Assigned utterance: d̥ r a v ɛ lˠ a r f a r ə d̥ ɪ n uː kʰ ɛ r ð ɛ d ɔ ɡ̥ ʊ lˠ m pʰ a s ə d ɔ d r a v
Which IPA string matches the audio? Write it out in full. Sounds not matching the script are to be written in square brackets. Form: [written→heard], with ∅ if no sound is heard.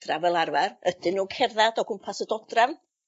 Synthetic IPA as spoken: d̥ r a v ɛ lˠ a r [f→v] a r ə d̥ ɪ n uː kʰ ɛ r ð [ɛ→a] d ɔ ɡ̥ ʊ [lˠ→∅] m pʰ a s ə d ɔ d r a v